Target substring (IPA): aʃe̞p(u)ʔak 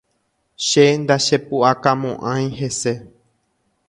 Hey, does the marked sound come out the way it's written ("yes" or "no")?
yes